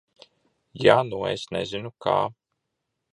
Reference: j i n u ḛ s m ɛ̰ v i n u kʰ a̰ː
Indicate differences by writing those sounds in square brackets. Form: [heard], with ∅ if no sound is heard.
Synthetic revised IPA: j [a] n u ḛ s [n] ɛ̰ [z] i n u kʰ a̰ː

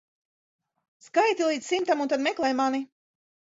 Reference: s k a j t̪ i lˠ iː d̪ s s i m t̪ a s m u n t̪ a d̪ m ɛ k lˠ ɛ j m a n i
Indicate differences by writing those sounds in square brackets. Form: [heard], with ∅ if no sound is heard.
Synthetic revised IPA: s k a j t̪ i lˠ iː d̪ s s i m t̪ a [∅] m u n t̪ a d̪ m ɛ k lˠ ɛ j m a n i

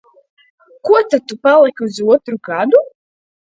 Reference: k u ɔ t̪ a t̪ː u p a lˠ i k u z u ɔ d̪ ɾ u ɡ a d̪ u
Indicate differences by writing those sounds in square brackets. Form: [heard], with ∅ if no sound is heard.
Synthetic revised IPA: k u ɔ t̪ a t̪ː u p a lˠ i k u z u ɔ [t̪] ɾ u ɡ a d̪ u

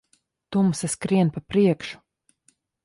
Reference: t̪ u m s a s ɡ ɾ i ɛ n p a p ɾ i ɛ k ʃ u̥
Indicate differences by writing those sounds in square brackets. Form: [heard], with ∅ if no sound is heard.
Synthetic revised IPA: t̪ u m s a s [k] ɾ i ɛ n p a p ɾ i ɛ k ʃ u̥

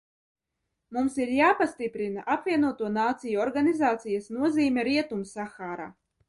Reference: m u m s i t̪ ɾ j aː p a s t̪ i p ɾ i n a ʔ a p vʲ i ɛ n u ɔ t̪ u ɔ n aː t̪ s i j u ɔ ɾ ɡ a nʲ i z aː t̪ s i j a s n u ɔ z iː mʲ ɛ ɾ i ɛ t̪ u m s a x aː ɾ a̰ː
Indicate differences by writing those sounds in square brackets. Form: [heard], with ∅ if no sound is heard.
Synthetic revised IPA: m u m s i [∅] ɾ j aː p a s t̪ i p ɾ i n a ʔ a p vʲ i ɛ n u ɔ t̪ u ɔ n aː t̪ s i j u ɔ ɾ ɡ a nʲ i z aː t̪ s i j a s n u ɔ z iː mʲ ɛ ɾ i ɛ t̪ u m s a x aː ɾ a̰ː

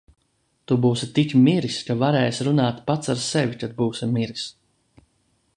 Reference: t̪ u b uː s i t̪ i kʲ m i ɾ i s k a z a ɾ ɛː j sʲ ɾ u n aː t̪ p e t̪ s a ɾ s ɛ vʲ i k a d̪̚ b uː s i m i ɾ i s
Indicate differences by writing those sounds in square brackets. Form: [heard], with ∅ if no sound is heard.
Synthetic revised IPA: t̪ u b uː s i t̪ i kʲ m i ɾ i s k a [v] a ɾ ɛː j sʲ ɾ u n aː t̪ p [a] t̪ s a ɾ s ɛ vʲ i k a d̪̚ b uː s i m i ɾ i s

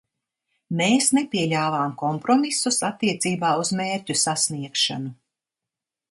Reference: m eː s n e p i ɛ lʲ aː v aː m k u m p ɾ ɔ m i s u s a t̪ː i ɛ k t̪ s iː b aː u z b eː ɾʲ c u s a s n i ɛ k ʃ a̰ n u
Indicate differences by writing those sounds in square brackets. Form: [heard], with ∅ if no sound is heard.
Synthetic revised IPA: m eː s n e p i ɛ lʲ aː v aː m k [ɔ] m p ɾ ɔ m i s u s a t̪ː i ɛ [∅] t̪ s iː b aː u z [m] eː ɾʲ c u s a s n i ɛ k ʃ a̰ n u

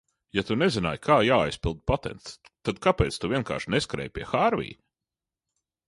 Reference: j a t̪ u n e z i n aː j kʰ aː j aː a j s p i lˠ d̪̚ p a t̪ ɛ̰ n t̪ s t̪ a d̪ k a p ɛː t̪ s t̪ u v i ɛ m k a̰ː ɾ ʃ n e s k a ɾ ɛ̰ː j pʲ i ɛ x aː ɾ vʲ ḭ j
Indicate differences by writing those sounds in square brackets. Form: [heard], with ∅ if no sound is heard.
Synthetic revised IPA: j a t̪ u n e z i n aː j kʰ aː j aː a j s p i lˠ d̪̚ p a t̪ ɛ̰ n t̪ s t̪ a d̪ k a p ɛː t̪ s t̪ u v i ɛ [n] k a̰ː ɾ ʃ n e s k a ɾ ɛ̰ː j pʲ i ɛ x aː ɾ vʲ ḭ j

